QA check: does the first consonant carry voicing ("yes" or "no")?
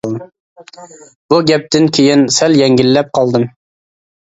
yes